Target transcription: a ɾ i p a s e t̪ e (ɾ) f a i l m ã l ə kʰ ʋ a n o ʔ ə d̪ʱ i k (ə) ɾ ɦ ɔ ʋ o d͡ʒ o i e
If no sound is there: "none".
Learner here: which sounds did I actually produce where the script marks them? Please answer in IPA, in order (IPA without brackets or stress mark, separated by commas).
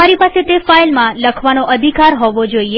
none, a